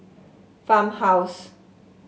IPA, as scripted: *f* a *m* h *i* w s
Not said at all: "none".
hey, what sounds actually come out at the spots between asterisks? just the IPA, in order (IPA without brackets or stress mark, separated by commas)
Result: f, m, a